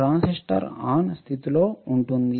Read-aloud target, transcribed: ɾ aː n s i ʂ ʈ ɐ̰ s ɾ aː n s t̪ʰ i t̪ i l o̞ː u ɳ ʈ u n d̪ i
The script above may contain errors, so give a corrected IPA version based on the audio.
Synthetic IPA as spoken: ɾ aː n s i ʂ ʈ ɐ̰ ɾ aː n s t̪ʰ i t̪ i l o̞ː u ɳ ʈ u n d̪ i